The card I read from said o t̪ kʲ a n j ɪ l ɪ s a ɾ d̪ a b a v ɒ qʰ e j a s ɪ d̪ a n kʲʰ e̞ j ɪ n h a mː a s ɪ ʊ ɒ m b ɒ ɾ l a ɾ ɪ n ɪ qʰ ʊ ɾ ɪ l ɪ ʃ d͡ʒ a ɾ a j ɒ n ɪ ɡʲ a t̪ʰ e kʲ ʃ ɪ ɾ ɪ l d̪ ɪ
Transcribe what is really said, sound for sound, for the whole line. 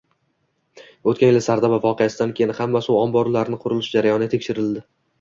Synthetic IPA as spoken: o t̪ kʲ a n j ɪ l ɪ s a ɾ d̪ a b a v ɒ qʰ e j a s ɪ d̪ a n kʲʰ e̞ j ɪ n h a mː a s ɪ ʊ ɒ m b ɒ ɾ l a ɾ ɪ n ɪ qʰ ʊ ɾ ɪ l ɪ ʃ d͡ʒ a ɾ a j ɒ n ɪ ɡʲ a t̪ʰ e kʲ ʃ ɪ ɾ ɪ l d̪ ɪ

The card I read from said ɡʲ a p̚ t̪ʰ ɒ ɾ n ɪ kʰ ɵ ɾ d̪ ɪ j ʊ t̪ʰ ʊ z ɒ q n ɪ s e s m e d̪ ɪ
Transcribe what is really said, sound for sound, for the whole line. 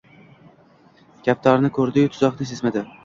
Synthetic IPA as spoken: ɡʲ a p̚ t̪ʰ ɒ ɾ n ɪ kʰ ɵ ɾ d̪ ɪ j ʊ t̪ʰ ʊ z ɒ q n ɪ s e s m a d̪ ɪ

